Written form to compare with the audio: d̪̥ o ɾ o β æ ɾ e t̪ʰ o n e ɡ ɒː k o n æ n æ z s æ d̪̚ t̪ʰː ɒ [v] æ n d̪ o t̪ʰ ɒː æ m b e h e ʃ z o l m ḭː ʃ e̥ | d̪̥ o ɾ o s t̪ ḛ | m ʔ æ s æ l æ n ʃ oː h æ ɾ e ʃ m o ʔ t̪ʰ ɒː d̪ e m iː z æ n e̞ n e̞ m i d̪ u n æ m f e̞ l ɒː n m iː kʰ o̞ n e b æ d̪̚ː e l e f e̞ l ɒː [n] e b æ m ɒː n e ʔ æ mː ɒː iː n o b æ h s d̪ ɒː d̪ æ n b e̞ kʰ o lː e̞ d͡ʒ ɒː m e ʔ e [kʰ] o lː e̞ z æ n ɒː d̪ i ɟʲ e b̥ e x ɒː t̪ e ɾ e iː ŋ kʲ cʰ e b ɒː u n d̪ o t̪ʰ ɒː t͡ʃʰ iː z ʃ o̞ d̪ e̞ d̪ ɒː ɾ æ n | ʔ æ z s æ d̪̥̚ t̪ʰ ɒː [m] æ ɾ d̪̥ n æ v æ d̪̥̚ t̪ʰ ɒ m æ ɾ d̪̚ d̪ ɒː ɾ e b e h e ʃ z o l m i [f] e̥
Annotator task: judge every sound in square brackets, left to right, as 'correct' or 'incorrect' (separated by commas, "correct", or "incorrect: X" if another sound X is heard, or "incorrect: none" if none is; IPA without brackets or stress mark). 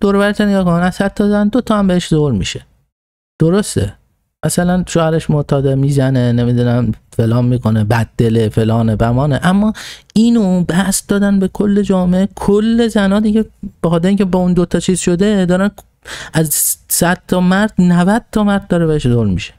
incorrect: z, correct, correct, correct, incorrect: ʃ